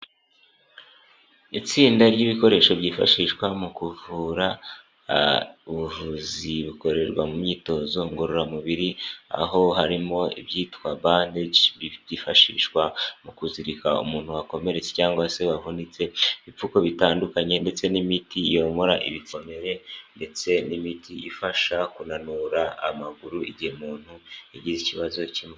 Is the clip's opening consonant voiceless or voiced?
voiceless